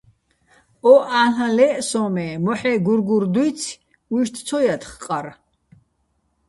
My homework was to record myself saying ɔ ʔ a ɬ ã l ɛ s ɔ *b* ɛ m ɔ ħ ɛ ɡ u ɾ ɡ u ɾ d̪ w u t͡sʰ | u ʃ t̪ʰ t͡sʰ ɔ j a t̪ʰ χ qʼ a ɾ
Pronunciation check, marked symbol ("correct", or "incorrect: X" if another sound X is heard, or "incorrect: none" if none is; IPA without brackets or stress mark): incorrect: m